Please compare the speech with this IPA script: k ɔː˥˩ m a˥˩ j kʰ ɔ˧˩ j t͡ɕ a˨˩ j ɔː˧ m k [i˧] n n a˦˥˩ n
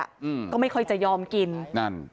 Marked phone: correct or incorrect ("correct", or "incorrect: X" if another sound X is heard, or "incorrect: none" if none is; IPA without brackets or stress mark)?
correct